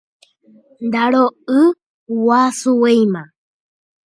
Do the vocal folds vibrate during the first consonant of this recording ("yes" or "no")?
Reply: yes